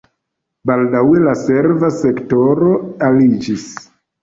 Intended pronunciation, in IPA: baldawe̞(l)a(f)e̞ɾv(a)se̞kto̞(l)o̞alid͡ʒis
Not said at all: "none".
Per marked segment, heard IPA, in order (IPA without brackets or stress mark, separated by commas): l, s, a, ɾ